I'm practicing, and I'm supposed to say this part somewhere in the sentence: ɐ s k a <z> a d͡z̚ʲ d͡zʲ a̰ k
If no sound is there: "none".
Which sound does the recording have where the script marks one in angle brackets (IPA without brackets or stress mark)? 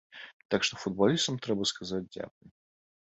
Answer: z